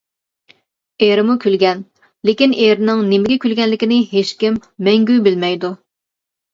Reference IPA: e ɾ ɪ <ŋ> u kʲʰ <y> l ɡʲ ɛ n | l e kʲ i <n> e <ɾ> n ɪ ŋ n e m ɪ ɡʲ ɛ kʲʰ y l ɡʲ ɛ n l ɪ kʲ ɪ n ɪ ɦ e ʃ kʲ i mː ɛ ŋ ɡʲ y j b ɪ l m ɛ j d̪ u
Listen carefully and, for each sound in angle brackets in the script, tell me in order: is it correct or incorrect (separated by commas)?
incorrect, correct, correct, correct